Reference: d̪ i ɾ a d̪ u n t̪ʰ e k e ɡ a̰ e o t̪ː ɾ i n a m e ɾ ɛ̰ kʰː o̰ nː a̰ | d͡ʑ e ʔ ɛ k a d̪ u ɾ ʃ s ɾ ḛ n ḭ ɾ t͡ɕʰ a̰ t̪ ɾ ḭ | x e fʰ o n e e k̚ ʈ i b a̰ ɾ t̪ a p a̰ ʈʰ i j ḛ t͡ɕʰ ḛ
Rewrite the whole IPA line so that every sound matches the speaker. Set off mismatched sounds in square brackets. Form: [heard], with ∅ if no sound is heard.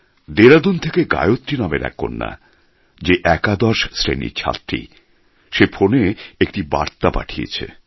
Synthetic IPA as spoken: d̪ [e] ɾ a d̪ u n t̪ʰ e k e ɡ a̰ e o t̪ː ɾ i n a m e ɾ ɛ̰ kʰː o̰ nː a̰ | d͡ʑ e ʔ ɛ k a d̪ [ɔ] ɾ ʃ s ɾ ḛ n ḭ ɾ t͡ɕʰ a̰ t̪ ɾ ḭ | [ʃ] e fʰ o n e e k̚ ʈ i b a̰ ɾ t̪ a p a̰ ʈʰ i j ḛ t͡ɕʰ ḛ